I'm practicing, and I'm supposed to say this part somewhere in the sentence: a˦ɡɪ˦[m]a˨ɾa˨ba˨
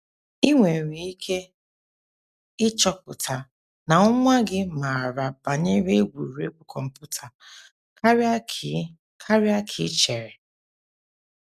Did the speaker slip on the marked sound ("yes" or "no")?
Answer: no